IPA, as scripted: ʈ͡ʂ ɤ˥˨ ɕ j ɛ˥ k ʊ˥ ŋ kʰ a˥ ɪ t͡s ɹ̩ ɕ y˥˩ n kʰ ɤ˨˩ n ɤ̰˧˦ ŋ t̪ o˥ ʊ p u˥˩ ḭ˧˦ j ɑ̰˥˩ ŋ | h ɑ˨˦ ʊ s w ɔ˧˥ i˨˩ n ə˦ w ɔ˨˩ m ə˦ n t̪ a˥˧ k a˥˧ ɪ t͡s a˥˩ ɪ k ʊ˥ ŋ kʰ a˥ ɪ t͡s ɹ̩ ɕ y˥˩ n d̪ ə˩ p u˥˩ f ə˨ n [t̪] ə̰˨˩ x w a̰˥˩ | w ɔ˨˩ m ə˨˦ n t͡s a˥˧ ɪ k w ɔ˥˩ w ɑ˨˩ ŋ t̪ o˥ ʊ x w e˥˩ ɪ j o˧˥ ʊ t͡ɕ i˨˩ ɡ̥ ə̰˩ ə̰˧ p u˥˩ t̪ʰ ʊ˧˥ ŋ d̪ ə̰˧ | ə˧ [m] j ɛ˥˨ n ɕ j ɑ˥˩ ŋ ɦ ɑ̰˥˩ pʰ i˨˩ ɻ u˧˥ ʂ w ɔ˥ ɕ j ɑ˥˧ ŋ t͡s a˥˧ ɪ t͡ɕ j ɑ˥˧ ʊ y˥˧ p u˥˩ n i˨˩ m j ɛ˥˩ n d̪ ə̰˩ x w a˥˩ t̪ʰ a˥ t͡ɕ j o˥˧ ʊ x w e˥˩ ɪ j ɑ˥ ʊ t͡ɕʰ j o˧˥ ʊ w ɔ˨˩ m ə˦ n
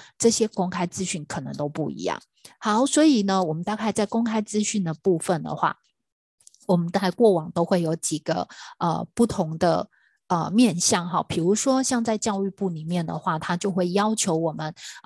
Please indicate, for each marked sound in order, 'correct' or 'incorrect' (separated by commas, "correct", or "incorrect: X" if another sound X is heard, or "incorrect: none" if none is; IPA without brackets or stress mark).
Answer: incorrect: d̪, correct